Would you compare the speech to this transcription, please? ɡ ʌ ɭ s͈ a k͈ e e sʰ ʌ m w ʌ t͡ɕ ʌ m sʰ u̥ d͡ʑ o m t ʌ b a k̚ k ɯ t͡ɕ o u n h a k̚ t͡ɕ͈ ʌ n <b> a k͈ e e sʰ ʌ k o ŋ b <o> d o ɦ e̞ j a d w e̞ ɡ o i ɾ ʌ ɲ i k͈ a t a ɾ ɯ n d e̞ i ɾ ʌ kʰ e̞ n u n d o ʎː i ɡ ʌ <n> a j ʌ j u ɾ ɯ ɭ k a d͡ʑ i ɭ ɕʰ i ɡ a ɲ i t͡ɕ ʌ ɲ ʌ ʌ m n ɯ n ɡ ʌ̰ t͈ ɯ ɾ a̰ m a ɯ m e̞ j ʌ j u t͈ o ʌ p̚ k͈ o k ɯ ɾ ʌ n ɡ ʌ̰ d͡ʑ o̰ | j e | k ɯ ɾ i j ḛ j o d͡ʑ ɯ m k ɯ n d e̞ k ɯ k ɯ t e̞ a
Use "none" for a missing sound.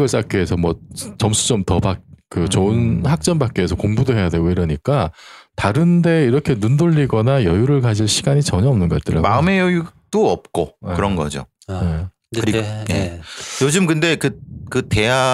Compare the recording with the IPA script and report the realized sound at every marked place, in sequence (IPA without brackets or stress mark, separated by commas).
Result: b, u, n